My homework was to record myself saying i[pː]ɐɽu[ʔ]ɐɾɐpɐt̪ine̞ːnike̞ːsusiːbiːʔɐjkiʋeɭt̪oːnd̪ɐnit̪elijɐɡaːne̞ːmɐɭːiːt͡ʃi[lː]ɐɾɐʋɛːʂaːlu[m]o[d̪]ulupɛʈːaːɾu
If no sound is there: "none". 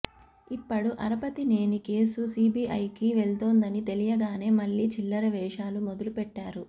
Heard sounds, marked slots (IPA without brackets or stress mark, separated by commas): pː, ʔ, lː, m, d̪